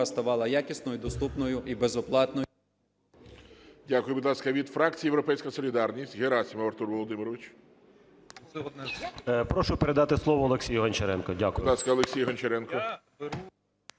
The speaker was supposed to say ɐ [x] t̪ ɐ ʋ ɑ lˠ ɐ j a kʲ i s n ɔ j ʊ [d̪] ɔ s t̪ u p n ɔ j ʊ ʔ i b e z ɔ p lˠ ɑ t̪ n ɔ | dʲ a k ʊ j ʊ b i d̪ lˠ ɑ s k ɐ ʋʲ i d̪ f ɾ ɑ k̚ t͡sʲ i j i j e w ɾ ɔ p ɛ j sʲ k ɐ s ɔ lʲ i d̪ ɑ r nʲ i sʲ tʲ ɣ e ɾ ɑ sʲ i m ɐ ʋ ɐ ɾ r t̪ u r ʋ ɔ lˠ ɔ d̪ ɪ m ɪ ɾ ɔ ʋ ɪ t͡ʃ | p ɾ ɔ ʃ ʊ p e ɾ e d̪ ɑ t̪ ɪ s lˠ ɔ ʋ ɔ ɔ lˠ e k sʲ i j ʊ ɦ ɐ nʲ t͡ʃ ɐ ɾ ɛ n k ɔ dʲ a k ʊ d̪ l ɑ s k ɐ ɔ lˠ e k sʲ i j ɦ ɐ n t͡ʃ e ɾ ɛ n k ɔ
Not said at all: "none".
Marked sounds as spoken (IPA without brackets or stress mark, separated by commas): s, d̪